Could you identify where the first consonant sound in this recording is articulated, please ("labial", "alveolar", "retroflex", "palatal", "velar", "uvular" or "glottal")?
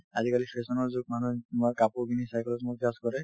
alveolar